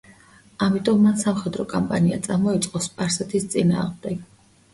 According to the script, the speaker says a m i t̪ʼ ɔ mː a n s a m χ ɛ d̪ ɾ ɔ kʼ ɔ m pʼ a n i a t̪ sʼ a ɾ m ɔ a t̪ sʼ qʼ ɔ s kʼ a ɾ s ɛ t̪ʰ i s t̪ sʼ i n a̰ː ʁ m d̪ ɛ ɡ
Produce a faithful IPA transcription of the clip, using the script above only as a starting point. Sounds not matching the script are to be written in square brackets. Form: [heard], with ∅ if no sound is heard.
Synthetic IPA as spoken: a m i t̪ʼ ɔ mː a n s a m χ ɛ d̪ ɾ ɔ kʼ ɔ m pʼ a n i a t̪ sʼ a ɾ m ɔ [i] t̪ sʼ qʼ ɔ s [pʼ] a ɾ s ɛ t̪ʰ i s t̪ sʼ i n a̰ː ʁ m d̪ ɛ ɡ